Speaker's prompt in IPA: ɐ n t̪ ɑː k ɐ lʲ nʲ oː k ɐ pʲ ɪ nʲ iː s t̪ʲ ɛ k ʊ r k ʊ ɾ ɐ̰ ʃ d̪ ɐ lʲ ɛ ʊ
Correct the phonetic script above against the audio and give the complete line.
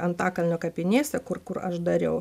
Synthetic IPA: ɐ n t̪ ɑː k ɐ lʲ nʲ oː k ɐ pʲ ɪ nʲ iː s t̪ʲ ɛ k ʊ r k ʊ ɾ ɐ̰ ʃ d̪ ɐ ɾʲ ɛ ʊ